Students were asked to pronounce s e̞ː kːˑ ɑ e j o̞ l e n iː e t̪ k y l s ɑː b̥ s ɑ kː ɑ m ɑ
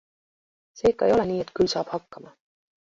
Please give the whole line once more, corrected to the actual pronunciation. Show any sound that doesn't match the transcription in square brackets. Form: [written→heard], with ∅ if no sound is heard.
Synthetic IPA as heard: s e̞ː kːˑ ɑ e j o̞ l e n iː e t̪ k y l s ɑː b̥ [s→h] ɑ kː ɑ m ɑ